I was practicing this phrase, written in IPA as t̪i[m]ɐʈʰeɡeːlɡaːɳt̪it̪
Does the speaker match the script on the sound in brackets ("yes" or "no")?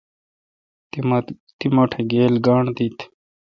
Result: yes